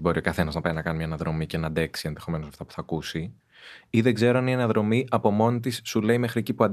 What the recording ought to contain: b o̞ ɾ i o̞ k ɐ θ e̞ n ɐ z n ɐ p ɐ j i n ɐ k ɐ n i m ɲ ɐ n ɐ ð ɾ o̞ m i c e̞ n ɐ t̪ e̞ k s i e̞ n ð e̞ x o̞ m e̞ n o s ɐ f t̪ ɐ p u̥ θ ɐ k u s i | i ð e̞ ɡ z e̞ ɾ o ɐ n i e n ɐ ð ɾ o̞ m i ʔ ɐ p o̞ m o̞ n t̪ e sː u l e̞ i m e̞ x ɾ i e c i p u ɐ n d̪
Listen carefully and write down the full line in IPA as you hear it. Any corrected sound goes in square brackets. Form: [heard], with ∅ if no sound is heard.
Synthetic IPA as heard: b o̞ ɾ i o̞ k ɐ θ e̞ n ɐ z n ɐ p ɐ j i n ɐ k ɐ n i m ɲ ɐ n ɐ ð ɾ o̞ m i c e̞ n ɐ [d̪] e̞ k s i e̞ n ð e̞ x o̞ m e̞ n o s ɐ f t̪ ɐ p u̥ θ ɐ k u s i | i ð e̞ ɡ z e̞ ɾ o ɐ n i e n ɐ ð ɾ o̞ m i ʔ ɐ p o̞ m o̞ n t̪ [i] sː u l e̞ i m e̞ x ɾ i e c i p u ɐ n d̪